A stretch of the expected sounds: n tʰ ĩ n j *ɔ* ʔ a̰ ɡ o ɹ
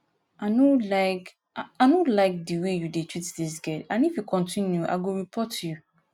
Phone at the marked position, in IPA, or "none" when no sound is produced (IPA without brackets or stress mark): u